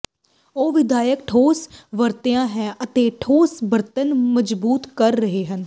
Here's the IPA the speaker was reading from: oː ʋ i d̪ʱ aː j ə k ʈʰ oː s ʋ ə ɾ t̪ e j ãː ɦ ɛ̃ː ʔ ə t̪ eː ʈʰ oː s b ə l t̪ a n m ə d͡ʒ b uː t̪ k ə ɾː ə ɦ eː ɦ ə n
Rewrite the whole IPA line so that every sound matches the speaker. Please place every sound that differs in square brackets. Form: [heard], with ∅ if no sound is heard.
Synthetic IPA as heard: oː ʋ [ɪ] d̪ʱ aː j ə k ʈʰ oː s ʋ ə ɾ t̪ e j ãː ɦ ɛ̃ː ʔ ə t̪ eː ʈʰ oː s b ə [ɾ] t̪ [ə] n m ə d͡ʒ b uː t̪ k ə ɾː ə ɦ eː ɦ ə n